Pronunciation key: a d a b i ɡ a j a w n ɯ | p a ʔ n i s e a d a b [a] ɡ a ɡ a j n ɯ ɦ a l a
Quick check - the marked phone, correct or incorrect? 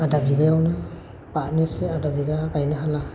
incorrect: i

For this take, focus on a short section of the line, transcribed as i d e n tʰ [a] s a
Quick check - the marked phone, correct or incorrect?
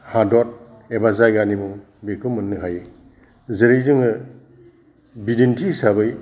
incorrect: i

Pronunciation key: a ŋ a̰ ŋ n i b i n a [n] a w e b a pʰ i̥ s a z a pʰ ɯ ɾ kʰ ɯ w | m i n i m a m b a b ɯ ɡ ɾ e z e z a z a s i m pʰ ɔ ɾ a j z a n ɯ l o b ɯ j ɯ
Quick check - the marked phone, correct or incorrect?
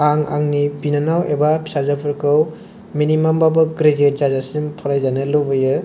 correct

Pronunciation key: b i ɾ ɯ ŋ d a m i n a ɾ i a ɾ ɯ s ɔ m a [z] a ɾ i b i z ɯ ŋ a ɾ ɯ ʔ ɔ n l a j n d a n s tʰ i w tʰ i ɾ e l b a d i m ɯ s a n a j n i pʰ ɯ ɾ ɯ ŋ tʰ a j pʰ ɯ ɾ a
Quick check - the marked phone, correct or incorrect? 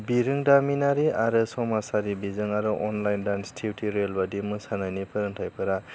incorrect: s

